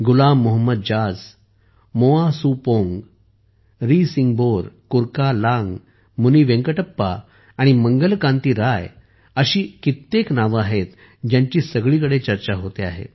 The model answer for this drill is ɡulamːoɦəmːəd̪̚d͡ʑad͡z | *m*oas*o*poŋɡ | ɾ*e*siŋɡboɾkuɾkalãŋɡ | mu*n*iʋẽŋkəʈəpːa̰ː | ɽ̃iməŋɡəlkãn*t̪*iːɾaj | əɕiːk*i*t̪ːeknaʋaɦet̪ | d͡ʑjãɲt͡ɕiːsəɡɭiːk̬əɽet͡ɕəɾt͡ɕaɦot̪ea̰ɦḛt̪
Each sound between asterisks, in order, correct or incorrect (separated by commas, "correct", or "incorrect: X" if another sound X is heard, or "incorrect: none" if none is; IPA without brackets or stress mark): correct, incorrect: u, incorrect: i, correct, correct, correct